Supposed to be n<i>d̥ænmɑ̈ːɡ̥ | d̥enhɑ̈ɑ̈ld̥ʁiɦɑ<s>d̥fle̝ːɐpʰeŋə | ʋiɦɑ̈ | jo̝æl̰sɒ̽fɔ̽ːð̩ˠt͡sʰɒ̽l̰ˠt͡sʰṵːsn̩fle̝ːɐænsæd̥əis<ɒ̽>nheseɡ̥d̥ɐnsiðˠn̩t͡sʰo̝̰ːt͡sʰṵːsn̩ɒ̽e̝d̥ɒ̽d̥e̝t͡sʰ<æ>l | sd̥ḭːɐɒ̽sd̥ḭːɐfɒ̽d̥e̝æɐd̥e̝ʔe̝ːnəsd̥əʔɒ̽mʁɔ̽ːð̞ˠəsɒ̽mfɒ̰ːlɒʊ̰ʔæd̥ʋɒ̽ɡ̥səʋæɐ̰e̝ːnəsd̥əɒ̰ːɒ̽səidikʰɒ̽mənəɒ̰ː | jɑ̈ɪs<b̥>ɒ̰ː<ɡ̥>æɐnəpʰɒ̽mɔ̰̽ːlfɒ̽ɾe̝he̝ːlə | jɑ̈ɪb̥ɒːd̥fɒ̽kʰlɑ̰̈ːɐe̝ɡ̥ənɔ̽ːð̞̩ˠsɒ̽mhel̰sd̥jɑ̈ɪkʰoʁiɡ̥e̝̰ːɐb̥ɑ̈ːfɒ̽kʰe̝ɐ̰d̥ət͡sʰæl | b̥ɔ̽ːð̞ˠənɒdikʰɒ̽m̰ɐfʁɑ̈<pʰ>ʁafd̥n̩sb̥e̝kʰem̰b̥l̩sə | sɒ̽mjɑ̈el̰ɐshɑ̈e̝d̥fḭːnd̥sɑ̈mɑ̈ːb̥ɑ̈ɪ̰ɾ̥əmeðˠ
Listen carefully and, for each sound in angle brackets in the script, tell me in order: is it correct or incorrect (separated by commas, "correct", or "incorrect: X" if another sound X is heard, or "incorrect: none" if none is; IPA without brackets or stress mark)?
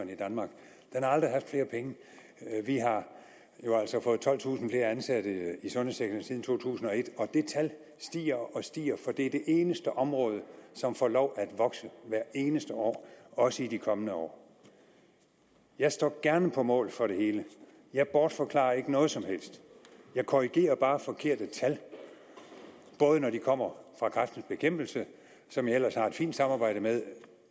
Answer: correct, incorrect: f, incorrect: ɔ̽, correct, incorrect: d̥, correct, incorrect: kʰ